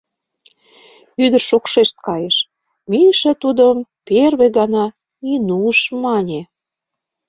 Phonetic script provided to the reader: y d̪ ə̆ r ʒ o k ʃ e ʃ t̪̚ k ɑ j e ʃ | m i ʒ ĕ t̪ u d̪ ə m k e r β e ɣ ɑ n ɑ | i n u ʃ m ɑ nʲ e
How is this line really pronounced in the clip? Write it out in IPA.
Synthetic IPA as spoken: y d̪ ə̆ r ʃ o k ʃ e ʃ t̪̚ k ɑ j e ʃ | m i ʃ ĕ t̪ u d̪ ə m p e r β e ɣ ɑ n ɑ | i n u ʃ m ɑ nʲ e